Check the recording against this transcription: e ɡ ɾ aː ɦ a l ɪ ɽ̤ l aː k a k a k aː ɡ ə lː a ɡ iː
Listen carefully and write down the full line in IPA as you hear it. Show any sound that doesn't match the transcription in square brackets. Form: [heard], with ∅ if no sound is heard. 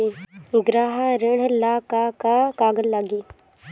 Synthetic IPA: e ɡ ɾ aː ɦ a [ɾ] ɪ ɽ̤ l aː k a k a k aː ɡ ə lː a ɡ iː